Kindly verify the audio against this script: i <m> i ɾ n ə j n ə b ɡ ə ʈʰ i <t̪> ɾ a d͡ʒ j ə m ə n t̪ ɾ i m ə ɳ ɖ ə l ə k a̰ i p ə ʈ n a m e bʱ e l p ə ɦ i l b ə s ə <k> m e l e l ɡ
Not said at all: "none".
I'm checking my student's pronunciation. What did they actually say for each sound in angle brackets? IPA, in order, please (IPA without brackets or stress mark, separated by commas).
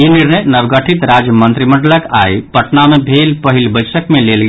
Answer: n, t̪, k